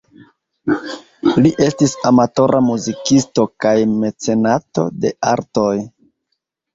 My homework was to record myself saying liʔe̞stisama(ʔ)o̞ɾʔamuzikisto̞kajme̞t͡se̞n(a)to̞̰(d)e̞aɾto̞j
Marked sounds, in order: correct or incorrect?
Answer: incorrect: t, correct, correct

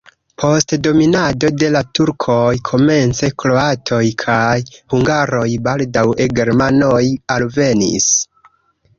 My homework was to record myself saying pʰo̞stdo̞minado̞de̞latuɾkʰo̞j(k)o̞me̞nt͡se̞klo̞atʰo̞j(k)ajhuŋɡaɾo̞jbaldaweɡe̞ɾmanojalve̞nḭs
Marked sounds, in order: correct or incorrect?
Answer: incorrect: kʰ, incorrect: kʰ

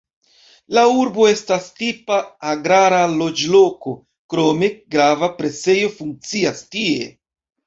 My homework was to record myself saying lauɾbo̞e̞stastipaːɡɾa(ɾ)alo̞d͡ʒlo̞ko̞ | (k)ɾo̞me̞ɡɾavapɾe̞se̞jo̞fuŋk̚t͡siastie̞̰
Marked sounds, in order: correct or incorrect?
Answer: correct, correct

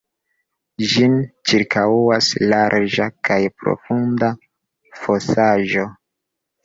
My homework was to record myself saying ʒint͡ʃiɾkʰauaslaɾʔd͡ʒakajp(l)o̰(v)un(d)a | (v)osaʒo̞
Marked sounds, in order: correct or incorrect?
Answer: incorrect: ɾ, incorrect: f, correct, incorrect: f

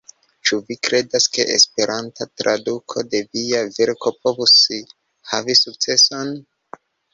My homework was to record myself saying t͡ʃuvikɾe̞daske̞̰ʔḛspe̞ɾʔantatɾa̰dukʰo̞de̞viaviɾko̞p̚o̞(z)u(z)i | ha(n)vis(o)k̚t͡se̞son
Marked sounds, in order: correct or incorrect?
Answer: incorrect: v, incorrect: s, incorrect: none, incorrect: u

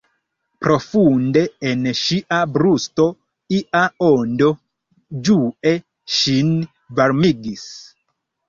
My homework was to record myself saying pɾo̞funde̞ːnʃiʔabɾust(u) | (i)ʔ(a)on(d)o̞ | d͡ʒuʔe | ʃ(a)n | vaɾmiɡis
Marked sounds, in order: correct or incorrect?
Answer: incorrect: o, correct, correct, correct, incorrect: i

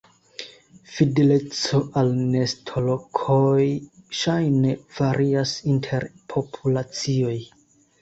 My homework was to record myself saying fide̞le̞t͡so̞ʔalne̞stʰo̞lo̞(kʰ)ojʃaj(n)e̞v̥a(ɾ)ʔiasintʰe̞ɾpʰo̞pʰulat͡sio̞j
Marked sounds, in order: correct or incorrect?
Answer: correct, correct, correct

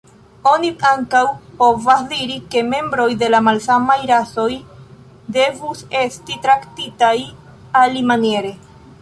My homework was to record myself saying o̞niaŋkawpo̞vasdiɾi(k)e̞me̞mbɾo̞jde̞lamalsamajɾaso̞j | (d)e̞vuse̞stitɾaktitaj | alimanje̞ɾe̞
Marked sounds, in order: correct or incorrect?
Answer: correct, correct

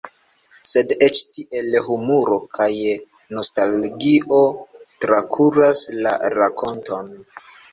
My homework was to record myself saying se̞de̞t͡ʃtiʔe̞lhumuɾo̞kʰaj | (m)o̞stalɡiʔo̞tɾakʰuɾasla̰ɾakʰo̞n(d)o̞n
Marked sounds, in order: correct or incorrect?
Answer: incorrect: n, incorrect: t

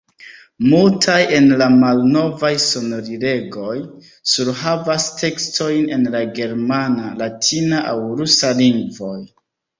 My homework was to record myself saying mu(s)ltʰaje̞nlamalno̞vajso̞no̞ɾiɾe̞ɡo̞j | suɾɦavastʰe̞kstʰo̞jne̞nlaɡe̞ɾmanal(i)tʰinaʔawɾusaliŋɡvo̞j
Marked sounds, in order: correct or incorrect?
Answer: incorrect: none, incorrect: a

